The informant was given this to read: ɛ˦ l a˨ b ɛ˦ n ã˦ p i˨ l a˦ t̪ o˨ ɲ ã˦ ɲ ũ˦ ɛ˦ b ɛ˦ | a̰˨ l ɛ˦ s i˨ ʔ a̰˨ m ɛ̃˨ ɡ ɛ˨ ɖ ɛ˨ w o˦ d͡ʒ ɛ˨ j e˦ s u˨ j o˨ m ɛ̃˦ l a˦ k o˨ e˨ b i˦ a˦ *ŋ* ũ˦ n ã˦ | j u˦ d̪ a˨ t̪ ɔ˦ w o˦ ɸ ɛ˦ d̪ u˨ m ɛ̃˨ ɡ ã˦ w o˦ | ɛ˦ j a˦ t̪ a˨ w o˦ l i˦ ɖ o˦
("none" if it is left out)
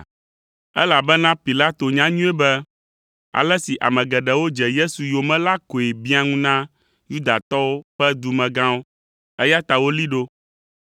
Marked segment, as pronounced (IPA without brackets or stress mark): ŋ